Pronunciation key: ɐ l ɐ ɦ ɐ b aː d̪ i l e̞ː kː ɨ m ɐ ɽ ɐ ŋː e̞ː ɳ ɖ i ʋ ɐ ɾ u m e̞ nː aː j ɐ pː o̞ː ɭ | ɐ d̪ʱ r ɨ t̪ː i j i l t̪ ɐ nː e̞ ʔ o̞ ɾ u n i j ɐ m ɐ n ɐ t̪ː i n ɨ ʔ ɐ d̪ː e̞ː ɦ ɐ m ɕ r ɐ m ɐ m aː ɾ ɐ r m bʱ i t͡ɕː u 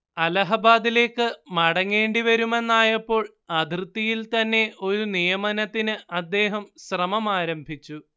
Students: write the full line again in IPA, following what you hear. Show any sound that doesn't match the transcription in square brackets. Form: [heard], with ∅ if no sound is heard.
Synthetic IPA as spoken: ɐ l ɐ ɦ ɐ b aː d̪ i l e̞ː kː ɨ m ɐ ɽ ɐ ŋː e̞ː ɳ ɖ i ʋ ɐ ɾ u m e̞ nː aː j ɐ pː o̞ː ɭ | ɐ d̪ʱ r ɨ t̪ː i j i l t̪ ɐ nː e̞ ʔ o̞ ɾ u n i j ɐ m ɐ n ɐ t̪ː i n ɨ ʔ ɐ d̪ː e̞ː ɦ ɐ m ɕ r ɐ m ɐ m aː ɾ ɐ [∅] m bʱ i t͡ɕː u